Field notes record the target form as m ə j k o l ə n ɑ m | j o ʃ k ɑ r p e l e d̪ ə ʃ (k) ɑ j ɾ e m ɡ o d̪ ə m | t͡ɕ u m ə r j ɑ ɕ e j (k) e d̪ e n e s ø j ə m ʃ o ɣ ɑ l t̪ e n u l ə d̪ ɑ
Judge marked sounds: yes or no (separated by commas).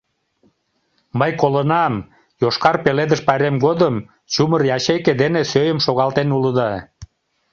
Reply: no, yes